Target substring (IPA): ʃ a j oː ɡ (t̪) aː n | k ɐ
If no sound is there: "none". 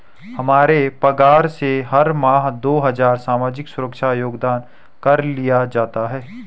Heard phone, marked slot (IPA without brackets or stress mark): d̪